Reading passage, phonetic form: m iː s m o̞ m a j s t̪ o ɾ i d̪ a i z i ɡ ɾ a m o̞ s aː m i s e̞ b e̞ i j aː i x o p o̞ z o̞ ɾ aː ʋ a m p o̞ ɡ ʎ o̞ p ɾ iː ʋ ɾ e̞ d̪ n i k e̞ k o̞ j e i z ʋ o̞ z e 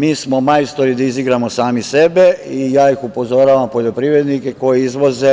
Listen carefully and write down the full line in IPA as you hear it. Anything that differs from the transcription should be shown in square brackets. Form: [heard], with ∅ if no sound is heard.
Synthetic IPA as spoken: m iː s m o̞ m a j s t̪ o ɾ i d̪ a i z i ɡ ɾ a m o̞ s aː m i s e̞ b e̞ i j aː i x [u] p o̞ z o̞ ɾ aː ʋ a m p o̞ [∅] ʎ o̞ p ɾ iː ʋ ɾ e̞ d̪ n i k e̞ k o̞ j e i z ʋ o̞ z e